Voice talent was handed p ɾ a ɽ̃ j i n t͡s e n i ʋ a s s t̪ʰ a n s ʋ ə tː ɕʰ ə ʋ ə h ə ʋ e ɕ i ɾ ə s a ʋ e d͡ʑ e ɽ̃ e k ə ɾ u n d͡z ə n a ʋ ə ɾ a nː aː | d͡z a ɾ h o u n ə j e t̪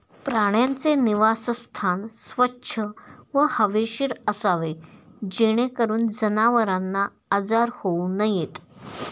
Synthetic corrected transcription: p ɾ a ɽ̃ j a n t͡s e n i ʋ a s s t̪ʰ a n s ʋ ə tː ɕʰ ə ʋ ə h ə ʋ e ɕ i ɾ ə s a ʋ e d͡ʑ e ɽ̃ e k ə ɾ uː n d͡z ə n a ʋ ə ɾ a nː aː | d͡z a ɾ h o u n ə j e t̪